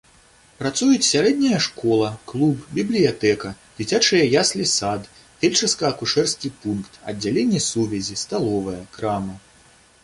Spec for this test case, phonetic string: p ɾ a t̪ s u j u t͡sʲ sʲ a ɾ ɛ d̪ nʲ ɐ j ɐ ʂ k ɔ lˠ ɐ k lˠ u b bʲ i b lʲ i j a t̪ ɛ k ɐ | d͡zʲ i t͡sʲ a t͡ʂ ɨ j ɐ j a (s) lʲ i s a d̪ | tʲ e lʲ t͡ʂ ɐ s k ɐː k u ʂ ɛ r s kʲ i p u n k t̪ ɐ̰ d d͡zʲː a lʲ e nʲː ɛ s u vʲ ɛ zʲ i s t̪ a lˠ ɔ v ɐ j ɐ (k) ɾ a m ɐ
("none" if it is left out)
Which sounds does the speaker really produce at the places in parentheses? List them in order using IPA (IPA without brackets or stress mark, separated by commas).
s, k